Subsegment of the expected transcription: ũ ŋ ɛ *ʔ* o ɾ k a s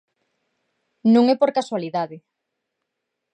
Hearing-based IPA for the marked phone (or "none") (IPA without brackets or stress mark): p